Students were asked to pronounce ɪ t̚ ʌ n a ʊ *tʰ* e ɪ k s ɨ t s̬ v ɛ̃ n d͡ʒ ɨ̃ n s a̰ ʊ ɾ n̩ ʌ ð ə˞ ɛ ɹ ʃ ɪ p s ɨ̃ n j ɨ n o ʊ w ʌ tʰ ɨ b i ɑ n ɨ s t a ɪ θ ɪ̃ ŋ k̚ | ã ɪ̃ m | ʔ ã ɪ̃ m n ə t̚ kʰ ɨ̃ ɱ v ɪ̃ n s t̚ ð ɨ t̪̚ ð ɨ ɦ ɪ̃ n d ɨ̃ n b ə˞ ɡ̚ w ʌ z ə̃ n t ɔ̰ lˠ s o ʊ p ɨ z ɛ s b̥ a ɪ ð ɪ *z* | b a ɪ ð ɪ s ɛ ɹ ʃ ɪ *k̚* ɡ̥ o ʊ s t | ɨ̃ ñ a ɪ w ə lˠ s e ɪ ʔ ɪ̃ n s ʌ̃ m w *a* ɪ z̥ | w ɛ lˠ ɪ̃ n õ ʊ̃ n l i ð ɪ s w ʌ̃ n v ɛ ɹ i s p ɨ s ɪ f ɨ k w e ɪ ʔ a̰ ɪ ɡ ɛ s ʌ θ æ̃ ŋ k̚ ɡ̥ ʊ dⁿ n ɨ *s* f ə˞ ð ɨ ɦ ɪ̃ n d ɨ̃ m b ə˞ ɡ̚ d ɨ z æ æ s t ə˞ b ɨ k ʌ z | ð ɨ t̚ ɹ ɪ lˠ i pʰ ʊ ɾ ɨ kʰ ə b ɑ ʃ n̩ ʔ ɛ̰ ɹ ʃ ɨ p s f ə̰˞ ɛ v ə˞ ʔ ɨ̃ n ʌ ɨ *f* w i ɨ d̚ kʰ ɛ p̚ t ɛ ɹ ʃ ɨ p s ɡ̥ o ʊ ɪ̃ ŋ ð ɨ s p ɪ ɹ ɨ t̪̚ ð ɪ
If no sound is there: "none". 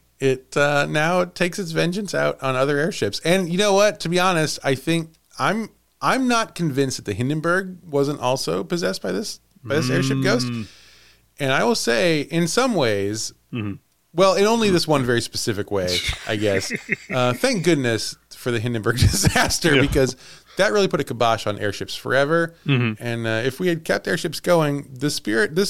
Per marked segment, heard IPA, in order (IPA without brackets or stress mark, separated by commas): tʰ, s, p̚, e, s, f